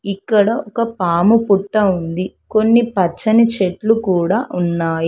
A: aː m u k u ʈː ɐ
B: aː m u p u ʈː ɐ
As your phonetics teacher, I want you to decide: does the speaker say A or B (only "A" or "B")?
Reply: B